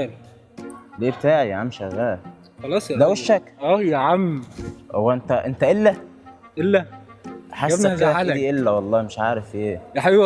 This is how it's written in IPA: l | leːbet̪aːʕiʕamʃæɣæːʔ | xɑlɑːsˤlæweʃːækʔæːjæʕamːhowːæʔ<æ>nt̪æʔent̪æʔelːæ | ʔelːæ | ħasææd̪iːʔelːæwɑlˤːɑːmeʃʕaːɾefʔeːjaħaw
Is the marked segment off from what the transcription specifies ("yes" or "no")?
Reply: yes